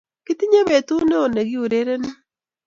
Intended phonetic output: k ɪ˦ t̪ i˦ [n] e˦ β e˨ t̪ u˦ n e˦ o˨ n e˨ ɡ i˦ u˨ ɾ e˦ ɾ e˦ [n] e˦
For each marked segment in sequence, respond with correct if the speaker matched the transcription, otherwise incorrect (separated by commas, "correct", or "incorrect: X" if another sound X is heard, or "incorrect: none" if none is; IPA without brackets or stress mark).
incorrect: ɲ, correct